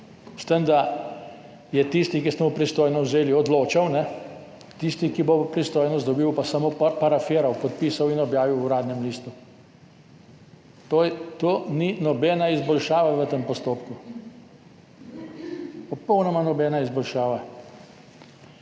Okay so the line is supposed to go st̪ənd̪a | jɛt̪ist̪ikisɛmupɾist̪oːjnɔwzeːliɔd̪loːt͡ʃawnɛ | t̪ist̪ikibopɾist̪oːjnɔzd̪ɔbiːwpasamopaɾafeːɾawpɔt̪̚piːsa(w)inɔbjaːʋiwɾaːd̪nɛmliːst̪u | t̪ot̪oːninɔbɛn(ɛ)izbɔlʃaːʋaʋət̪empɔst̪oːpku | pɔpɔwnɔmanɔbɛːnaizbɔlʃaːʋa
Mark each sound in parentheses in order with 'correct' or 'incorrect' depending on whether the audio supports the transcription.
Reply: correct, incorrect

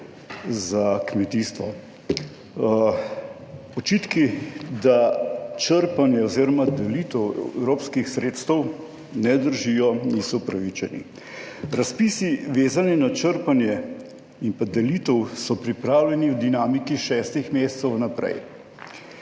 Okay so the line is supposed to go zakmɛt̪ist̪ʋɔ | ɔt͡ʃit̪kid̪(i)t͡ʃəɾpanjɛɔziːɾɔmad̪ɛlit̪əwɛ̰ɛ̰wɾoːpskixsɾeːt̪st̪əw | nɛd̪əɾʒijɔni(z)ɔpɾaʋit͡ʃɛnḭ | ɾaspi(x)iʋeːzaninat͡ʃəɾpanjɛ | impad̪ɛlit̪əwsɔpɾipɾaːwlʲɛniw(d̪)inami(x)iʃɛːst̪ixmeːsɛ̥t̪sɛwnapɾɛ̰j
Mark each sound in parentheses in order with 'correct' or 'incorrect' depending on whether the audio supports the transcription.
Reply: incorrect, incorrect, incorrect, correct, incorrect

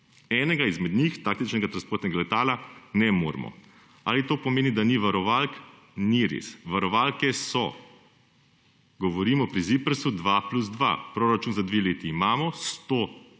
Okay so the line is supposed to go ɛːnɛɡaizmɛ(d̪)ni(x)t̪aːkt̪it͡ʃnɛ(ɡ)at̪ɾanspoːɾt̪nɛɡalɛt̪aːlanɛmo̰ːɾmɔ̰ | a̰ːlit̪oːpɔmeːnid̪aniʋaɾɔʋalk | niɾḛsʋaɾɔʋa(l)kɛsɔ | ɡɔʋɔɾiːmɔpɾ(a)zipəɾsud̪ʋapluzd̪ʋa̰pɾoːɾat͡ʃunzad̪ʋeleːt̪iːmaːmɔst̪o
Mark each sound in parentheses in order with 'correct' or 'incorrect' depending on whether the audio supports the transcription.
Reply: correct, correct, correct, correct, incorrect

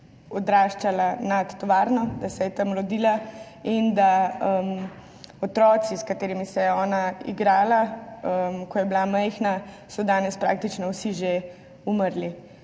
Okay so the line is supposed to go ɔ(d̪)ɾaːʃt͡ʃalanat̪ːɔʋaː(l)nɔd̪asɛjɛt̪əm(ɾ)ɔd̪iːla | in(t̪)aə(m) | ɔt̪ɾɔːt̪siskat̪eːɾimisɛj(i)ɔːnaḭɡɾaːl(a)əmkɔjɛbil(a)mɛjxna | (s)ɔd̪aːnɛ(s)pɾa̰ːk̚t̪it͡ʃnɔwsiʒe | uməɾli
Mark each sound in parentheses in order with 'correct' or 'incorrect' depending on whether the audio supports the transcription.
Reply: correct, incorrect, correct, incorrect, correct, incorrect, correct, correct, correct, correct

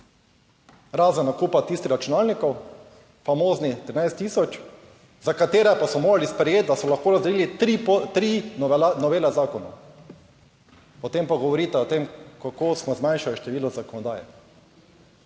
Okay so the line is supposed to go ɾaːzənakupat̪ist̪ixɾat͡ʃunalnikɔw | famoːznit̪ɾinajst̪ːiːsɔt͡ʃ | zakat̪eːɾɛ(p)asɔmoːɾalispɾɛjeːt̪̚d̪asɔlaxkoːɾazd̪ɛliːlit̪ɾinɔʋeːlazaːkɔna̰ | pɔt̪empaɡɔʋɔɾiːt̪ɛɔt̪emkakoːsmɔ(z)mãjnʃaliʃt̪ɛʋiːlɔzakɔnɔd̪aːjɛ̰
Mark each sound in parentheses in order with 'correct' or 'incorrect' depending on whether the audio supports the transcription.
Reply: correct, correct

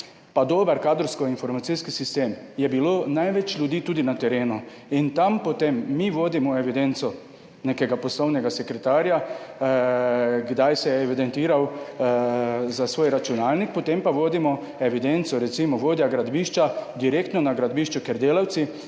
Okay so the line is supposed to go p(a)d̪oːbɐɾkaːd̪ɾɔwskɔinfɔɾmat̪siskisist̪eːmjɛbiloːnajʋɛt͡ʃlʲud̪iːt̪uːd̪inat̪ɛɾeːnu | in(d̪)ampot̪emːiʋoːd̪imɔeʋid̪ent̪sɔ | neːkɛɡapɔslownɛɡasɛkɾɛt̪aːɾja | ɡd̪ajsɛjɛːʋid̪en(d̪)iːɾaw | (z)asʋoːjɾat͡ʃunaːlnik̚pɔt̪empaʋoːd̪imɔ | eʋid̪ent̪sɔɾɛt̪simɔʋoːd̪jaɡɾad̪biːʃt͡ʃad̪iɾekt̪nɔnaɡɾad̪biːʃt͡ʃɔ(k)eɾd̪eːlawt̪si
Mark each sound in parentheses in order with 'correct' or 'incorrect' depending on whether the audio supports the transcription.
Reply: correct, incorrect, incorrect, correct, correct

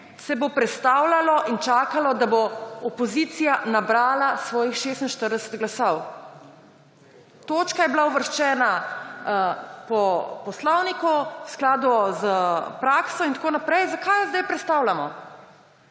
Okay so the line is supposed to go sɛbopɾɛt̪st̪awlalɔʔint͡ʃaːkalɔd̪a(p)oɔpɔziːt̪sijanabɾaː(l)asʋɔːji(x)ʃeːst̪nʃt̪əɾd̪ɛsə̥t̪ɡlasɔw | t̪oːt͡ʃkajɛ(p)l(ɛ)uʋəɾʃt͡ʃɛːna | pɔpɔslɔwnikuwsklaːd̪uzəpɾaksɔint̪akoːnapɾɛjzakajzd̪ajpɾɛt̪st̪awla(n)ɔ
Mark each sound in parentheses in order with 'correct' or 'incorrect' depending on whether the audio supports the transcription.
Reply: incorrect, correct, correct, incorrect, incorrect, incorrect

